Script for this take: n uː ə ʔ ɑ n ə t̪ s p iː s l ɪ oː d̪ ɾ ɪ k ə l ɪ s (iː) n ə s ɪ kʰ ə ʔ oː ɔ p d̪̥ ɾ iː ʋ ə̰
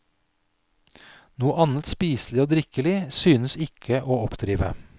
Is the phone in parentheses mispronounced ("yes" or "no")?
yes